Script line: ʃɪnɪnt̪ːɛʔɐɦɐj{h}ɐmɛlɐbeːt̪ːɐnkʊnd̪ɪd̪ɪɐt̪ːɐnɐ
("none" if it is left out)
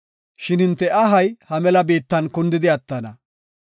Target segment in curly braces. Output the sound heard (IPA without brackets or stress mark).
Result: h